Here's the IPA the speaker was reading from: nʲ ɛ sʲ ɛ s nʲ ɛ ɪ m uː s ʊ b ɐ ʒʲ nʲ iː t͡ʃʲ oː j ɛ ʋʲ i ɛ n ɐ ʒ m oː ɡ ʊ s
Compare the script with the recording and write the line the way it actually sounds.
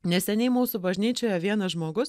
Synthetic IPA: nʲ ɛ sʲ ɛ nʲ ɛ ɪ m uː s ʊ b ɐ ʒʲ nʲ iː t͡ʃʲ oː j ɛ ʋʲ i ɛ n ɐ ʒ m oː ɡ ʊ s